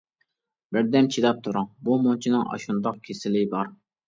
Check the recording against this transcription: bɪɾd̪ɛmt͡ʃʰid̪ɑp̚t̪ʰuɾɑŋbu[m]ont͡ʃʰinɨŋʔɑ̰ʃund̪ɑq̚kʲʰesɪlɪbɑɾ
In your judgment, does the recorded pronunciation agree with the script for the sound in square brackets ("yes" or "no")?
yes